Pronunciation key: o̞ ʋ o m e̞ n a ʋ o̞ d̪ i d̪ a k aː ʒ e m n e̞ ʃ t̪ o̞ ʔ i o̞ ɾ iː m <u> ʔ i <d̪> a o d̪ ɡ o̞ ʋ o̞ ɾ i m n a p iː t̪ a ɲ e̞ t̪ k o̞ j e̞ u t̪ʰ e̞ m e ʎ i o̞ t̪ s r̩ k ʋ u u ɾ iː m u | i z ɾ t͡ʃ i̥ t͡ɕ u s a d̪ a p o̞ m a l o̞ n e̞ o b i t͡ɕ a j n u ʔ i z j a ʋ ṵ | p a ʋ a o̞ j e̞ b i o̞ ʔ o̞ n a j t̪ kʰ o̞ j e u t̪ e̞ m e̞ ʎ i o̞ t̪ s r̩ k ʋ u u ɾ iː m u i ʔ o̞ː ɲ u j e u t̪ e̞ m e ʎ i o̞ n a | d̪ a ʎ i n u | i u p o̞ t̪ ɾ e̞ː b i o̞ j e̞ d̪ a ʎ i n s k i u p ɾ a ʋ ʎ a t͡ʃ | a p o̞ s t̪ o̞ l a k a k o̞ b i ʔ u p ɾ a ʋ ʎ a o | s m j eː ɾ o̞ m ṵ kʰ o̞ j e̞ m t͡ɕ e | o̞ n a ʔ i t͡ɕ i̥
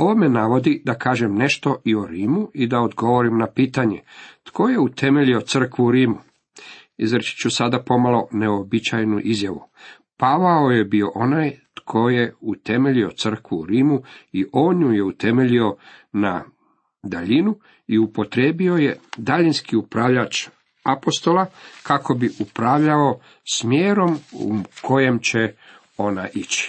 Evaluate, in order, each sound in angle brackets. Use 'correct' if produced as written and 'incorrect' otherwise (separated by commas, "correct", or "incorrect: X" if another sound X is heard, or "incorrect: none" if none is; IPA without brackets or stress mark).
correct, correct